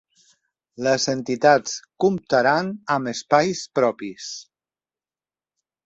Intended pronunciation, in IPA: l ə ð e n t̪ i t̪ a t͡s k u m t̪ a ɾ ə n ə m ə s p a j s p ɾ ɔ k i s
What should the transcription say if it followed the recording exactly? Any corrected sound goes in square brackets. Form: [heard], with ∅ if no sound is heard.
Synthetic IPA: l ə [z] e n t̪ i t̪ a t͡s k u m t̪ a ɾ [a] n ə m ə s p a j s p ɾ ɔ [p] i s